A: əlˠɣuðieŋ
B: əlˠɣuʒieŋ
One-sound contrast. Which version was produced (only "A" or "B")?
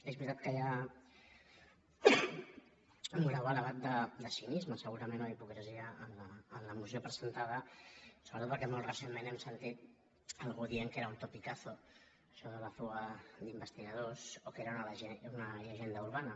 A